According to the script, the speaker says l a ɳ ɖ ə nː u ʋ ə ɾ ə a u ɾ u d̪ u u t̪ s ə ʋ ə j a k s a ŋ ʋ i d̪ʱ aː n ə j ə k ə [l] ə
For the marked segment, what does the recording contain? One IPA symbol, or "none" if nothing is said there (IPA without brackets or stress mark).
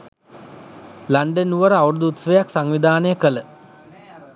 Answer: l